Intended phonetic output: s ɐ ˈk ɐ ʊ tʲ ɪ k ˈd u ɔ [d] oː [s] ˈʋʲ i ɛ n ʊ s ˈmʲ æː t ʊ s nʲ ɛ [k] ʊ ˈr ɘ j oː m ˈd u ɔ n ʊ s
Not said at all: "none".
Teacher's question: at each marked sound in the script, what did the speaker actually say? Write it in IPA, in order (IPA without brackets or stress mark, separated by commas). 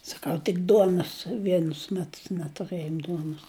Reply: n, s, t